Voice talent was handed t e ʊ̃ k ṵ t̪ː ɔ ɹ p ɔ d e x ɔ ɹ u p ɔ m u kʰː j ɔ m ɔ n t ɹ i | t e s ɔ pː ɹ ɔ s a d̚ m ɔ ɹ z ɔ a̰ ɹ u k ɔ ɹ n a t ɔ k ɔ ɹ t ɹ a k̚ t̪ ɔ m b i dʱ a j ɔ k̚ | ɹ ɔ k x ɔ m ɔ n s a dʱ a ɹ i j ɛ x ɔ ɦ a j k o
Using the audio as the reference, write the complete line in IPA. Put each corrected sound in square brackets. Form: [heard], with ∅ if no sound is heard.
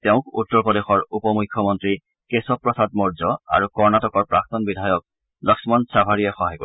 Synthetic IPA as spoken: t e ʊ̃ k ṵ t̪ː ɔ ɹ p ɔ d e x ɔ ɹ u p ɔ m u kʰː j ɔ m ɔ n t ɹ i | [k] e s ɔ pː ɹ ɔ s a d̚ m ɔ ɹ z ɔ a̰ ɹ u k ɔ ɹ n a t ɔ k ɔ ɹ [p] ɹ a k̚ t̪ ɔ [n] b i dʱ a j ɔ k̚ | [l] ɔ k [s] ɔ m ɔ n s a [bʱ] a ɹ i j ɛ x ɔ ɦ a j k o